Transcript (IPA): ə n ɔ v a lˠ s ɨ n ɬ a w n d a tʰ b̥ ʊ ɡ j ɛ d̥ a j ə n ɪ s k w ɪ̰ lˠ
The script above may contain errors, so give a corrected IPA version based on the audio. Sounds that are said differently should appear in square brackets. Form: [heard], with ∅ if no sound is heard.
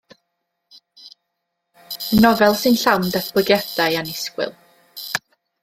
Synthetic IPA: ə n ɔ v [ɛ] lˠ s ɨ n ɬ a w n d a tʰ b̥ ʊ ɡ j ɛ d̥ a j [a] n ɪ s k w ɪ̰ lˠ